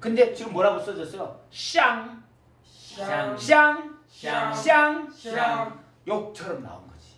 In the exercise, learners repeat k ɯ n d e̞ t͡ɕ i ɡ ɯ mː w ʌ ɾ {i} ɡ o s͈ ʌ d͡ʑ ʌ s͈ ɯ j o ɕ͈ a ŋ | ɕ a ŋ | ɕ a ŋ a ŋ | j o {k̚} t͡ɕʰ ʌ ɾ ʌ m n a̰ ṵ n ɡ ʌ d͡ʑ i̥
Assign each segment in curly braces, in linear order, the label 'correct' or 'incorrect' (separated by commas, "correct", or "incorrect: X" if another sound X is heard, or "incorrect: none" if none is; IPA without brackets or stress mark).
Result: incorrect: a, correct